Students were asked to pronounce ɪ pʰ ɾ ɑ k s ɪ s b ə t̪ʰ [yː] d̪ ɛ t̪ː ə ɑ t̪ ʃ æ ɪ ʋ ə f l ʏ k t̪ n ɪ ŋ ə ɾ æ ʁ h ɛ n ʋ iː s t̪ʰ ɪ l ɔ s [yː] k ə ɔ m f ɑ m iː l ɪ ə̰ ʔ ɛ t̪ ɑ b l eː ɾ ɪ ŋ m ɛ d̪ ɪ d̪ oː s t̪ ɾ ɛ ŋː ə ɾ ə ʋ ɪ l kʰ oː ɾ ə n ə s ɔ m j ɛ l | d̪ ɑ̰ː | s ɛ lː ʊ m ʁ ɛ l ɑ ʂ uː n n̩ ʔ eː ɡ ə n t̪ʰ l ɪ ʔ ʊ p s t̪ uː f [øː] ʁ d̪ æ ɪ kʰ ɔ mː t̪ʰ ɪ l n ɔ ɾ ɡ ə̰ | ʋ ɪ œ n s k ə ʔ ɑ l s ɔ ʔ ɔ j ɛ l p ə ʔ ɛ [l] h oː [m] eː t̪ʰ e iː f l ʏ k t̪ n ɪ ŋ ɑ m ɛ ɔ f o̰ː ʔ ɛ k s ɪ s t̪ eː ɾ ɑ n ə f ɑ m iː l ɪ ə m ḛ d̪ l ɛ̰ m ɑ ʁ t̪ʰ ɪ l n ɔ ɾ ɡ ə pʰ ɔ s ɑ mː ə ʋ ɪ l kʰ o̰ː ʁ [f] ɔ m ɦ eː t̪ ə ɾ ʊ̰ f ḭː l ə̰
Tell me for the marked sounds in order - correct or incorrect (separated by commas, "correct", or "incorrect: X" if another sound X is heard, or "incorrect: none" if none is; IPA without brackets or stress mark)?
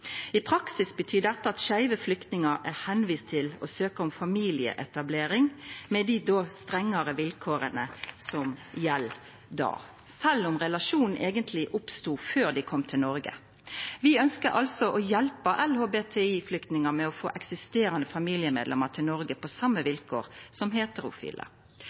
correct, incorrect: øː, correct, correct, incorrect: b, incorrect: s